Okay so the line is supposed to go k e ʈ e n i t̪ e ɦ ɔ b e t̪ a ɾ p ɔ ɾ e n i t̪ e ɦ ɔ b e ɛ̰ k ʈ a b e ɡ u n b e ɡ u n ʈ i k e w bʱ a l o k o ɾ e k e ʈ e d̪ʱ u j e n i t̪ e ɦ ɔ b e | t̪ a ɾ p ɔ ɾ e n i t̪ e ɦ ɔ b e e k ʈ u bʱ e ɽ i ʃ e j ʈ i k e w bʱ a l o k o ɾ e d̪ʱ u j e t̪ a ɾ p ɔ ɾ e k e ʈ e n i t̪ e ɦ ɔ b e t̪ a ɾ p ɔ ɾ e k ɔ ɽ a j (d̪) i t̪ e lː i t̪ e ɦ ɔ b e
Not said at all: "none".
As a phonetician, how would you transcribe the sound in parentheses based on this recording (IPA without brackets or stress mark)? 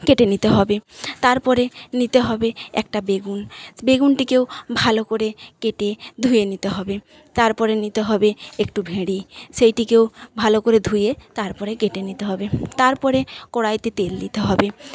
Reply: t̪